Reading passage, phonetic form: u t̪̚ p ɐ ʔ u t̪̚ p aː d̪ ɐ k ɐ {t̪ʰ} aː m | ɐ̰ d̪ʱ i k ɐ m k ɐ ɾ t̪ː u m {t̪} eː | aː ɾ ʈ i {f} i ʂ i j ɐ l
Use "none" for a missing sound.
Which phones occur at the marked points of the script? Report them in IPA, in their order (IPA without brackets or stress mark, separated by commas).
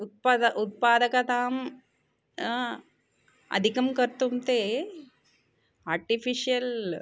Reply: t̪, t̪, f